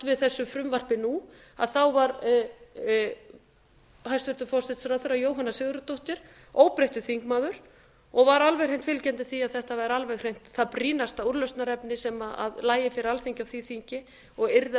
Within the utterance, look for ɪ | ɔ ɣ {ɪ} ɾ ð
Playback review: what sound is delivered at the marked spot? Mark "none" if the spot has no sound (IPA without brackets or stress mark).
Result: ɪ